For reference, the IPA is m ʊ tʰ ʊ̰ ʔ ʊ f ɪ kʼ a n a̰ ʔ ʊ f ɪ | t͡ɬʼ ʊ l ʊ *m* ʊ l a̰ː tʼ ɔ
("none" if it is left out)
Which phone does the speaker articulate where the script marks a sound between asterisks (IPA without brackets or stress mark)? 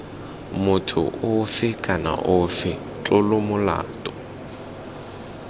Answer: m